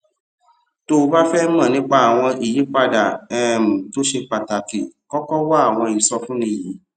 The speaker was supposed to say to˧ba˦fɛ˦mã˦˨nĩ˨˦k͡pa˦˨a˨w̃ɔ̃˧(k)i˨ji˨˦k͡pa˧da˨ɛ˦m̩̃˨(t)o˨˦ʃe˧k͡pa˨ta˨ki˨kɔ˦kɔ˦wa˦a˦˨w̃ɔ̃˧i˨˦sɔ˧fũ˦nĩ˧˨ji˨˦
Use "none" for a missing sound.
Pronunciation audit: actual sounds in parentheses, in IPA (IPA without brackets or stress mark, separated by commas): none, t